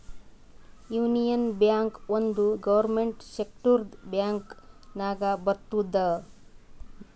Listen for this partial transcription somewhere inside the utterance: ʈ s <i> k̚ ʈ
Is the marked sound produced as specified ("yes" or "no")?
no